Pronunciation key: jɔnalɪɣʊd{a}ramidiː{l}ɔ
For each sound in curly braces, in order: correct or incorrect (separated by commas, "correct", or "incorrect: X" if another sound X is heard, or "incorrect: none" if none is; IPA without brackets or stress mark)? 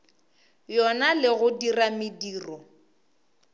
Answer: incorrect: i, incorrect: r